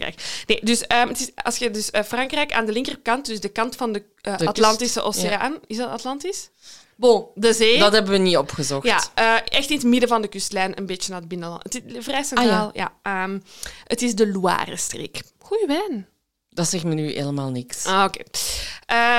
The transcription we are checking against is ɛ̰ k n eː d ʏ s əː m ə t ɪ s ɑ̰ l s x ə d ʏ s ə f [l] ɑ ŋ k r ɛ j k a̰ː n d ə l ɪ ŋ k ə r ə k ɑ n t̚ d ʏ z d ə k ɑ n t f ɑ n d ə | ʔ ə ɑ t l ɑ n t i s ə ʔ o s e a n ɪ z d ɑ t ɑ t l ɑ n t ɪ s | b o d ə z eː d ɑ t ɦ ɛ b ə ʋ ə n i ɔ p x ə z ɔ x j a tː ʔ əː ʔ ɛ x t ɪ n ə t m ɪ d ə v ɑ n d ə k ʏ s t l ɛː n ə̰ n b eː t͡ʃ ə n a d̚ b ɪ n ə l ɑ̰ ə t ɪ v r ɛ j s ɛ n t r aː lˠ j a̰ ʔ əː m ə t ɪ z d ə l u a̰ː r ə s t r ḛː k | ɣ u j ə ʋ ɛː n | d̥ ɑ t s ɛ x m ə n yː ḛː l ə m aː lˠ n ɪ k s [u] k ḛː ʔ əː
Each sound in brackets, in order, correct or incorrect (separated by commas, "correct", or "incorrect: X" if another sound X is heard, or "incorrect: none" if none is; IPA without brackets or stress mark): incorrect: r, incorrect: o